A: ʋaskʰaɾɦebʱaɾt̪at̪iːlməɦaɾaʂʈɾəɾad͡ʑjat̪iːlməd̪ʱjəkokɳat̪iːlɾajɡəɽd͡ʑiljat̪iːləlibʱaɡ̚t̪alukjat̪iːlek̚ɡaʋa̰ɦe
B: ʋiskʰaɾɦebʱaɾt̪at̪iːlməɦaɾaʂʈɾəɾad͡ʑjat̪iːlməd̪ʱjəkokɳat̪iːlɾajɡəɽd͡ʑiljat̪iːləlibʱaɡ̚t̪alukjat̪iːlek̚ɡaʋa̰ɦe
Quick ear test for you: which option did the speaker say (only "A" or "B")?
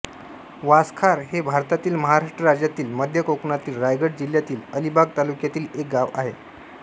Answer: A